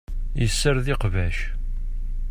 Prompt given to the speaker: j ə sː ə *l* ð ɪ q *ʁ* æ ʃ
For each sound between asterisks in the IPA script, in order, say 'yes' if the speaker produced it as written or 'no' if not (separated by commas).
no, no